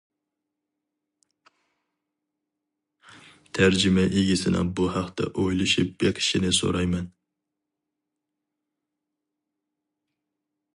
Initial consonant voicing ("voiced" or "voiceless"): voiceless